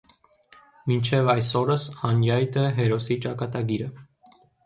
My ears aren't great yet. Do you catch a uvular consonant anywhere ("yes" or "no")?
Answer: no